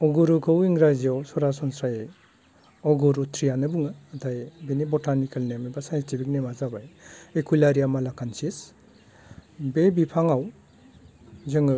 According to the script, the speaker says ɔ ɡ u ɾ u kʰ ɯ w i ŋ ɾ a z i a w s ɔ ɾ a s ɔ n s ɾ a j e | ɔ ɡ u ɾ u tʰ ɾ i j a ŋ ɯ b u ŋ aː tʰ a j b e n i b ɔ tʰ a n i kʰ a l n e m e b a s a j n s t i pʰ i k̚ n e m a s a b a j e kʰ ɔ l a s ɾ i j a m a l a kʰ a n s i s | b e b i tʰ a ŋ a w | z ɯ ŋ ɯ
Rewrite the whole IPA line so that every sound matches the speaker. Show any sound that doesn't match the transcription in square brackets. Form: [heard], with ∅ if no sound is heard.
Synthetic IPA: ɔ ɡ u ɾ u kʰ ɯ w i ŋ ɾ a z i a w s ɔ ɾ a s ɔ n s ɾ a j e | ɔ ɡ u ɾ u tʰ ɾ i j a [n] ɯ b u ŋ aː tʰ a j b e n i b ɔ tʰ a n i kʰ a l n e m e b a s a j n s t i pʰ i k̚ n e m a [z] a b a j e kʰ [u] l a [∅] ɾ i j a m a l a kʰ a n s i s | b e b i [pʰ] a ŋ a w | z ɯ ŋ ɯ